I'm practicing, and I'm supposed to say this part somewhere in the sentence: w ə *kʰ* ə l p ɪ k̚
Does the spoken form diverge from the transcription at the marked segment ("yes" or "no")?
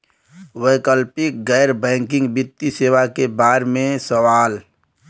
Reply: yes